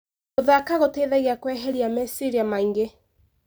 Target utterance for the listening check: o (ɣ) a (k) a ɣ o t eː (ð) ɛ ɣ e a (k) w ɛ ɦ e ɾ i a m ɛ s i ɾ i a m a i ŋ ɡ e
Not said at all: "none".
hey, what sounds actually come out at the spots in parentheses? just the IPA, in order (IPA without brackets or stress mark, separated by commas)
ð, k, ð, k